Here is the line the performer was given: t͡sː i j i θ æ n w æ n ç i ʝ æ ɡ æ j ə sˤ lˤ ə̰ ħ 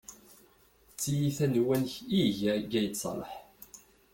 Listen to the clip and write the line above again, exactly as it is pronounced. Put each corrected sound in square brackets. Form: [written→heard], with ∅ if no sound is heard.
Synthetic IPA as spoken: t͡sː i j i θ æ n w æ n ç i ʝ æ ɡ æ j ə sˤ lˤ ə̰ ħ